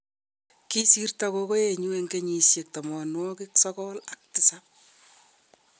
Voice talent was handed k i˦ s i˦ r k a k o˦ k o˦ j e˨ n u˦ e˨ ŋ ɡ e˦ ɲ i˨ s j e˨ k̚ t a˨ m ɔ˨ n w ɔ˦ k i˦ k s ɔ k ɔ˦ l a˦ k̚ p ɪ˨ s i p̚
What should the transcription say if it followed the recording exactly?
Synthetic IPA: k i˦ s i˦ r t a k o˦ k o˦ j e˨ ɲ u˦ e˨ ŋ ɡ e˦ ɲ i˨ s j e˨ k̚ t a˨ m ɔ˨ n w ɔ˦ k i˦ k s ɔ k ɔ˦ l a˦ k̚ t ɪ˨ s a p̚